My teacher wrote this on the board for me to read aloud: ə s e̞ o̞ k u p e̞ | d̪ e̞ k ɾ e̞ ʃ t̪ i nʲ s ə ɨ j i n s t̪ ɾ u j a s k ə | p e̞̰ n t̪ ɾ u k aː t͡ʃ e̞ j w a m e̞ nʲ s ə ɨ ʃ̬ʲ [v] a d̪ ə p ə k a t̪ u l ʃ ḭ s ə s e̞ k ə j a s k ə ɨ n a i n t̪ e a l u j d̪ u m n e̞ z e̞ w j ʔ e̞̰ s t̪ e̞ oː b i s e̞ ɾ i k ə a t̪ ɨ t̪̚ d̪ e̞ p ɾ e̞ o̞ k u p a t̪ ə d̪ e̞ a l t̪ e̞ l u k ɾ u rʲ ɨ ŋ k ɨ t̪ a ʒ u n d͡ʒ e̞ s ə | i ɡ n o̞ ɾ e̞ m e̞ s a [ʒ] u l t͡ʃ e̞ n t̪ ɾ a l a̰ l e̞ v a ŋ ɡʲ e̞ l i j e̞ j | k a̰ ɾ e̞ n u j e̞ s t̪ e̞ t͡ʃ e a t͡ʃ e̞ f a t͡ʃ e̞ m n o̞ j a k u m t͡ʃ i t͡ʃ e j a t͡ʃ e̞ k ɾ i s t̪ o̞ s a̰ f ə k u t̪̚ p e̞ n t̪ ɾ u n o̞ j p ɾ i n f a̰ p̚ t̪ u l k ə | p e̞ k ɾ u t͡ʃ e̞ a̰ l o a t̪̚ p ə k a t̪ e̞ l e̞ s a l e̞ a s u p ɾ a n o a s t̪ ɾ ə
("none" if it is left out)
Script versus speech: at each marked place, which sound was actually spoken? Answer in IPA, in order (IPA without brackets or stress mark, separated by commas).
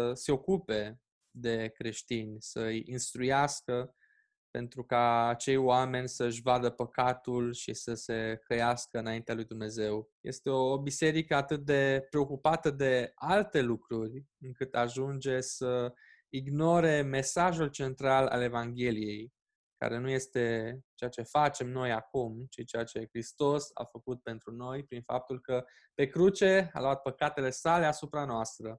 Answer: v, ʒ